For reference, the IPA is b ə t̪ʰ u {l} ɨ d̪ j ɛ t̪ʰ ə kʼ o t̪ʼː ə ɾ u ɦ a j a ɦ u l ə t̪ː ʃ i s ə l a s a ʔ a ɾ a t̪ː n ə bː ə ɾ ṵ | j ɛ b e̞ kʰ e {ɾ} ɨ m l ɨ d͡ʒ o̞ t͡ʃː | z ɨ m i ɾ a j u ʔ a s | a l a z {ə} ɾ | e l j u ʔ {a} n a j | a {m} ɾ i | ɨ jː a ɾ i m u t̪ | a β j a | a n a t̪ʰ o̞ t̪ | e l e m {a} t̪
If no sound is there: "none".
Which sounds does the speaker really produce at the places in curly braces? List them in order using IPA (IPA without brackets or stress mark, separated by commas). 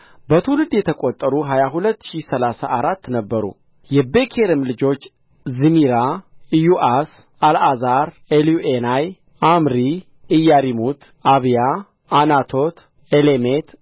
l, ɾ, a, e, m, e